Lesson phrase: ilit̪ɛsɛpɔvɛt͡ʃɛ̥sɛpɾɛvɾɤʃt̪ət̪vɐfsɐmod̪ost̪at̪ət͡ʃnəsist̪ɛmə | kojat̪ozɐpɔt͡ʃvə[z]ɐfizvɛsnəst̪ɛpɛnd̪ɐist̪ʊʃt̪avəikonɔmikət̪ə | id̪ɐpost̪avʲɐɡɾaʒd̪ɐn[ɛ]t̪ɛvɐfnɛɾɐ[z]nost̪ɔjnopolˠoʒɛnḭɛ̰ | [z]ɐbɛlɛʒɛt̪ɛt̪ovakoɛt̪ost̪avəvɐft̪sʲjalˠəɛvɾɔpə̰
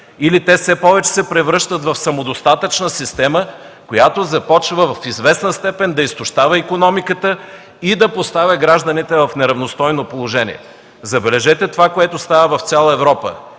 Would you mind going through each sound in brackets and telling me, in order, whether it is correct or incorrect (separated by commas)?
incorrect, incorrect, incorrect, correct